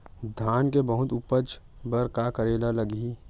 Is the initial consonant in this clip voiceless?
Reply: no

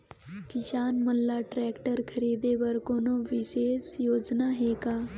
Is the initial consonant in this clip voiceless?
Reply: yes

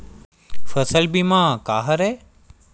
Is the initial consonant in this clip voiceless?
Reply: yes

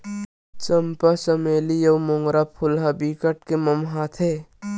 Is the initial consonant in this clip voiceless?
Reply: yes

